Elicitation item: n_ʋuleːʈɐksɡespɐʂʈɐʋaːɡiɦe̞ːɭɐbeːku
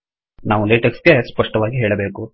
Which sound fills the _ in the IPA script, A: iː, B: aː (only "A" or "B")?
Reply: B